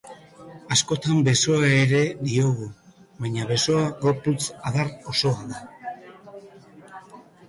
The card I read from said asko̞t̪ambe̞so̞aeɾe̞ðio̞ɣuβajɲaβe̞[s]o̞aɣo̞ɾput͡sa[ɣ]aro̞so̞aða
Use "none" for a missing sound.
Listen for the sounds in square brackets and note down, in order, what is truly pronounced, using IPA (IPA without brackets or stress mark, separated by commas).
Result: s, ð